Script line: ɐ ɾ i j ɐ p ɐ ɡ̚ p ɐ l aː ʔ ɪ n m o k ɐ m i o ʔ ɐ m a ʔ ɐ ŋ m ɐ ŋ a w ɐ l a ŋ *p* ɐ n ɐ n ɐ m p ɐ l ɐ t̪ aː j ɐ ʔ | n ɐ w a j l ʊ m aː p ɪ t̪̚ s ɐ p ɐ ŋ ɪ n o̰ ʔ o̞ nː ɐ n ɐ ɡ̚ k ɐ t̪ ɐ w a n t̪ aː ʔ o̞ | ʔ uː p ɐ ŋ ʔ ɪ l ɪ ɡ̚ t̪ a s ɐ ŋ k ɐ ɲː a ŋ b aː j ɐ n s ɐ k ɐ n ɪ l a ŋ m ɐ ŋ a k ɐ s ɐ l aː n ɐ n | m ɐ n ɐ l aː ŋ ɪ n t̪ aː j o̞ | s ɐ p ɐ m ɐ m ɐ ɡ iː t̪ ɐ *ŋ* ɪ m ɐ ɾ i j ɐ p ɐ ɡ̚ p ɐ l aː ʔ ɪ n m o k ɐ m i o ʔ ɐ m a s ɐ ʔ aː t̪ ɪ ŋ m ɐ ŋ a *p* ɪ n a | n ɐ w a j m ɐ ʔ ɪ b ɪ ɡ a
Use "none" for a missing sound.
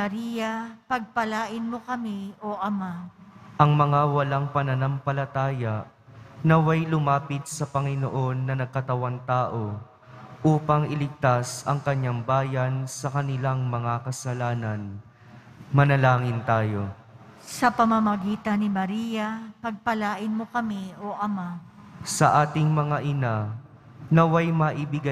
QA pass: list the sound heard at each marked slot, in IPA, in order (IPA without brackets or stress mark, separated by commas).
p, n, ʔ